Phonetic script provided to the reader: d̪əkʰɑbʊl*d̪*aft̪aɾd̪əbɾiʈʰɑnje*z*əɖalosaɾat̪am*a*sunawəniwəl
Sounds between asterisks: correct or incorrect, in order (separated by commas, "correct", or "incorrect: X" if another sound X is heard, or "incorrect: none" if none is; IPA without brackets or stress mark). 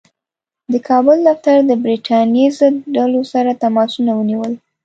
correct, correct, incorrect: ɑ